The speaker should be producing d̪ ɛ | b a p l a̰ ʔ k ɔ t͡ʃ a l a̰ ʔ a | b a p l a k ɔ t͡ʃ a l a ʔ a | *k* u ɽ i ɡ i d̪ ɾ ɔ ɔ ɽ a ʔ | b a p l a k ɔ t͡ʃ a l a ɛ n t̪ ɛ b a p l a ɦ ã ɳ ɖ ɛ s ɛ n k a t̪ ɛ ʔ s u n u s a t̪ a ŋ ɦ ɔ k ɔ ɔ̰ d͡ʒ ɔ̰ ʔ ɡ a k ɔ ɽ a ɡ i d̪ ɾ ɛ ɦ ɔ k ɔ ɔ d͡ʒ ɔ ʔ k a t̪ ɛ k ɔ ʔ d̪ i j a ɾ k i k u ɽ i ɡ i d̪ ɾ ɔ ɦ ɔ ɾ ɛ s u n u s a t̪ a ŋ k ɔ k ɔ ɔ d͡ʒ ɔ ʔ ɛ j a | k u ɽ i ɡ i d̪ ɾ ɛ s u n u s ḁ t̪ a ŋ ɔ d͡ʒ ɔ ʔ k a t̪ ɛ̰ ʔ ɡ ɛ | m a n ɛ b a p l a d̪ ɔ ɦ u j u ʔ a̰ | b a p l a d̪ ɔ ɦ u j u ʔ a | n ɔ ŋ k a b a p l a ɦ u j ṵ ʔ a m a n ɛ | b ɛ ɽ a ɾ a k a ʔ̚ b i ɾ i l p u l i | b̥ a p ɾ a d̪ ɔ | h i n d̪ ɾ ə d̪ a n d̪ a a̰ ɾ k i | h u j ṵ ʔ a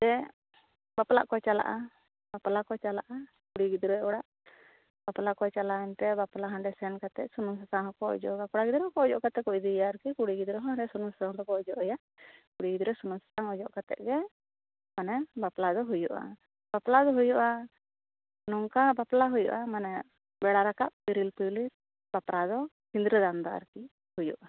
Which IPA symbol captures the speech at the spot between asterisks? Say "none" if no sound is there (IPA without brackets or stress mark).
k